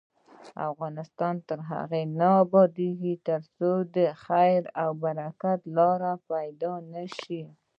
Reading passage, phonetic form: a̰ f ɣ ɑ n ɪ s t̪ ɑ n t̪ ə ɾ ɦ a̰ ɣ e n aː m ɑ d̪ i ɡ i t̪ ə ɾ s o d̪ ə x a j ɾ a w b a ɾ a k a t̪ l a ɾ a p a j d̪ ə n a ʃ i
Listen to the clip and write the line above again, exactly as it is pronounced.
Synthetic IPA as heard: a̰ f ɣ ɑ n ɪ s t̪ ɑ n t̪ ə ɾ ɦ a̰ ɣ e n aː b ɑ d̪ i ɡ i t̪ ə ɾ s o d̪ ə x a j ɾ a w b a ɾ a k a t̪ l ɑ ɾ a p a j d̪ ɑ n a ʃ i